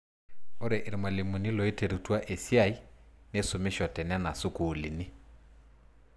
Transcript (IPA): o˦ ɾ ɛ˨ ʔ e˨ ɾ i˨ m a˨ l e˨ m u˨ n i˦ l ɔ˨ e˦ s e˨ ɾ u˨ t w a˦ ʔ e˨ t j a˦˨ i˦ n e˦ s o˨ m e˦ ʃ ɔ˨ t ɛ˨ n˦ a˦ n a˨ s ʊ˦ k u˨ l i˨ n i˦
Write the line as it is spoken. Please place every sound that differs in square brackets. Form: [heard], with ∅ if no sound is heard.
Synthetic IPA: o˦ ɾ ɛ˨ ʔ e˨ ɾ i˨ m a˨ l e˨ m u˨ n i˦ l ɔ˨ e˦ [t] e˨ ɾ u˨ t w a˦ ʔ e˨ [s] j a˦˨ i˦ n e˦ s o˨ m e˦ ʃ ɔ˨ t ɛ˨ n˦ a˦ n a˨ s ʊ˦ k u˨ l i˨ n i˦